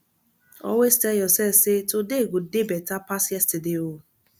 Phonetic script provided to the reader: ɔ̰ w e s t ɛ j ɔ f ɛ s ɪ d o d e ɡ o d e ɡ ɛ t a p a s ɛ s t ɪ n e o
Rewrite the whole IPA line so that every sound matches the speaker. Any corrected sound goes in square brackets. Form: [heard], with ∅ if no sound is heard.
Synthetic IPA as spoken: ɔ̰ w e s t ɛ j ɔ [s] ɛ s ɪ [t] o d e ɡ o d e [b] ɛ t a p a s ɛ s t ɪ [d] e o